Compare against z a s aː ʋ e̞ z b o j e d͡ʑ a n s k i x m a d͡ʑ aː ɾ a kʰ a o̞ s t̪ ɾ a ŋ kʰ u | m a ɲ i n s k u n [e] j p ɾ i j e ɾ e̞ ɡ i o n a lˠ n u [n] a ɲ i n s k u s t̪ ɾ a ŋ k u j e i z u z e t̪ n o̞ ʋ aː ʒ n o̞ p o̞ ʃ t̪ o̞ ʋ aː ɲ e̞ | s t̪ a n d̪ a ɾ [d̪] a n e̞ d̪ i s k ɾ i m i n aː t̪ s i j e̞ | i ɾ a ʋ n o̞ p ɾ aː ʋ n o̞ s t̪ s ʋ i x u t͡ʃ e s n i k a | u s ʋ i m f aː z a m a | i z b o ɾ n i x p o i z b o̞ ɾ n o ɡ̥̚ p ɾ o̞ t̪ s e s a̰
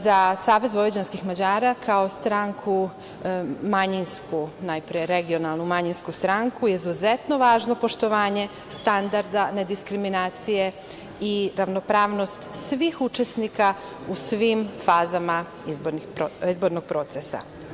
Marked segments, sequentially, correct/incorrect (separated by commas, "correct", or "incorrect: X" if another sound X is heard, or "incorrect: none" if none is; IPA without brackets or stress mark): incorrect: a, incorrect: m, correct